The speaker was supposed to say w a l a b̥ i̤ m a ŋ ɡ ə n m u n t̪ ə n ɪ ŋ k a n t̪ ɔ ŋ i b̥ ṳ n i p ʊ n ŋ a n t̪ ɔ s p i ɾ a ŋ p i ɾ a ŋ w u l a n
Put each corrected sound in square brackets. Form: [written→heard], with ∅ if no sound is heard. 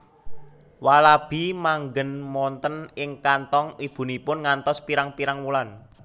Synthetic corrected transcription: w a l a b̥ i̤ m a ŋ ɡ ə n m [u→ɔ] n t̪ ə n ɪ ŋ k a n t̪ ɔ ŋ i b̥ ṳ n i p ʊ n ŋ a n t̪ ɔ s p i ɾ a ŋ p i ɾ a ŋ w u l a n